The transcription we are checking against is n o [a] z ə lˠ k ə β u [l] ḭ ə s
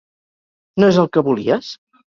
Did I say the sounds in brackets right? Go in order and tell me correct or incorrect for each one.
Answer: incorrect: e, correct

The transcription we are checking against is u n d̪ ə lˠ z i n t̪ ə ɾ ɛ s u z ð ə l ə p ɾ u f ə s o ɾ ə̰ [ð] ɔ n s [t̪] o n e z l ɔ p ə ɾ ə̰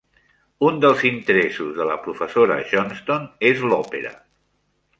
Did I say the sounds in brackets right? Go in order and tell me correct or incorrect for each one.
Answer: incorrect: ʒ, correct

